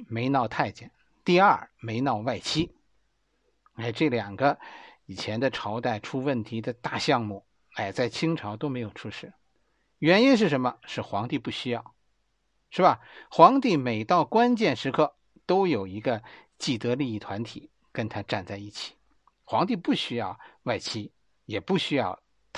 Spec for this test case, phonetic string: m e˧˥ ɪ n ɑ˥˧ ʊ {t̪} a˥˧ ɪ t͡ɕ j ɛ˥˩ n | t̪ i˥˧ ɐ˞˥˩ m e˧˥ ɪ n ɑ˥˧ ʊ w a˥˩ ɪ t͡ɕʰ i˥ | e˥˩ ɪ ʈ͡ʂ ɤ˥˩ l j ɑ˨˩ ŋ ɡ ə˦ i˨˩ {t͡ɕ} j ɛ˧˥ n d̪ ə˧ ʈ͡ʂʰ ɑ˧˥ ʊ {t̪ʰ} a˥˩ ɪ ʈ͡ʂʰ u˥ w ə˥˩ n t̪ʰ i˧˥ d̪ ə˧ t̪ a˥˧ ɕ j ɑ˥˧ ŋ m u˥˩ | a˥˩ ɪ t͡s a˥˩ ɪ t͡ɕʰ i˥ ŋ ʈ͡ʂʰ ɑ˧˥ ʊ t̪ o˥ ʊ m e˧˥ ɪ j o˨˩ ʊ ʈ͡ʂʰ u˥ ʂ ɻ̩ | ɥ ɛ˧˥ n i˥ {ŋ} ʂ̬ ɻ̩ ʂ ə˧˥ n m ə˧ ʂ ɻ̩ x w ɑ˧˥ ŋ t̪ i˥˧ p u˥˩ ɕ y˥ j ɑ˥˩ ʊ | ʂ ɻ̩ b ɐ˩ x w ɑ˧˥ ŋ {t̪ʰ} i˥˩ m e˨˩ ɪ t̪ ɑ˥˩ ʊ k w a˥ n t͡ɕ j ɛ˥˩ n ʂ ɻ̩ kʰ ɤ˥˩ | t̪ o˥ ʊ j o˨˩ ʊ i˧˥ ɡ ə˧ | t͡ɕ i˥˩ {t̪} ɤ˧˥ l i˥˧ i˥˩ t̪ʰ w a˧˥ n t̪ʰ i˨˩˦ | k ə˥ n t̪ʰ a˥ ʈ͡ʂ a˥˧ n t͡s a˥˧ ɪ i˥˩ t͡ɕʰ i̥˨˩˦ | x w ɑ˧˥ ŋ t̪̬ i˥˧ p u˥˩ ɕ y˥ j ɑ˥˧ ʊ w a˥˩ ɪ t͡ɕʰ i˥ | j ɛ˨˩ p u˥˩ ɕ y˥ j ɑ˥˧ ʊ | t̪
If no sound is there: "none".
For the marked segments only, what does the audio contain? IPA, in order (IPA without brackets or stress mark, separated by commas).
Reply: t̪ʰ, t͡ɕʰ, t̪, n, t̪, t̪